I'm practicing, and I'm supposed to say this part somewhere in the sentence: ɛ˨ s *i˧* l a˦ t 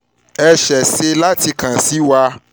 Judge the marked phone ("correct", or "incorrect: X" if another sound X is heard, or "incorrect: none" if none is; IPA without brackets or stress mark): incorrect: e˧